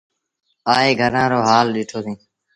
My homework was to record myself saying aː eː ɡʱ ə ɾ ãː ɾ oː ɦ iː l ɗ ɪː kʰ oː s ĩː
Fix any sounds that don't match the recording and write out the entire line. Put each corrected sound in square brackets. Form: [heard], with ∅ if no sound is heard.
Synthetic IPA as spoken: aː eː ɡʱ ə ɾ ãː ɾ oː ɦ [aː] l ɗ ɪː [ʈʰ] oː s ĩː